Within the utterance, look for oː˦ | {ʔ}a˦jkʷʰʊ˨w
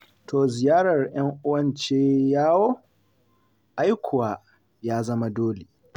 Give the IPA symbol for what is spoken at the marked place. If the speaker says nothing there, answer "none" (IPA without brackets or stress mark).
ʔ